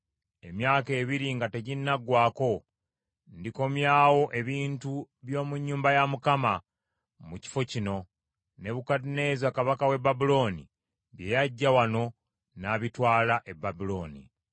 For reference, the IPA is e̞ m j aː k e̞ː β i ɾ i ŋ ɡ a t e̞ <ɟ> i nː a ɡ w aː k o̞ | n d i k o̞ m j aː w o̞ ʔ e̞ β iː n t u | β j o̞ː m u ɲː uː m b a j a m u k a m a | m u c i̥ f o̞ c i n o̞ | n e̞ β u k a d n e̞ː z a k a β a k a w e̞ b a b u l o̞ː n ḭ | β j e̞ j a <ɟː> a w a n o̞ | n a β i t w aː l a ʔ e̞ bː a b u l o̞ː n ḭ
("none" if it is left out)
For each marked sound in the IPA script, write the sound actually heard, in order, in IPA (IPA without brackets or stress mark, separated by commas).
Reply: ɟ, ɟː